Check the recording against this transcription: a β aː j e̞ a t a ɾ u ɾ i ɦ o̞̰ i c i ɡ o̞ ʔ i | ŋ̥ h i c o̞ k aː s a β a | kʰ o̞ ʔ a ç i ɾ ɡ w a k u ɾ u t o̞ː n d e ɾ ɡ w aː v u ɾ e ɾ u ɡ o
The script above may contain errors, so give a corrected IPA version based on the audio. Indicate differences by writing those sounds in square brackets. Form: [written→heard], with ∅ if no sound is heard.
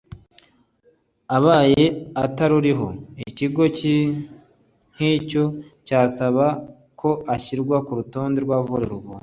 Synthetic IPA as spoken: a β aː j e̞ a t a ɾ u ɾ i ɦ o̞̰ i c i ɡ o̞ [ʔ→c] i | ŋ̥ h i c o̞ [k→c] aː s a β a | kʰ o̞ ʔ a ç i ɾ ɡ w a k u ɾ u t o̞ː n d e ɾ ɡ w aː v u ɾ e ɾ u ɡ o